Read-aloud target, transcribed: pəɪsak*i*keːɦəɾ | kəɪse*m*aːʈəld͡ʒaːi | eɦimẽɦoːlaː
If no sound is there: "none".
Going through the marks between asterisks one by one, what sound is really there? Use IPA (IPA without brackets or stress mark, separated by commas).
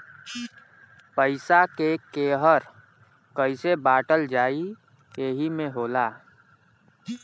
e, b